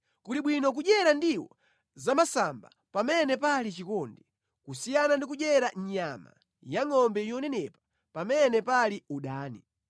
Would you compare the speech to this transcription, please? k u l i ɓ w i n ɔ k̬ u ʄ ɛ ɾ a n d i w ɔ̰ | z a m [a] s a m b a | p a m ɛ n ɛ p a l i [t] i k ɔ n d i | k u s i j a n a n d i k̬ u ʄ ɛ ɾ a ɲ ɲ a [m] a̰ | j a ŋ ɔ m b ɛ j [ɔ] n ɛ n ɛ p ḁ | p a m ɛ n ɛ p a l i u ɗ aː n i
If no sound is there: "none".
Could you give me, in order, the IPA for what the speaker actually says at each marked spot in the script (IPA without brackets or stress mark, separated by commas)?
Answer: a, t͡ʃ, m, ɔ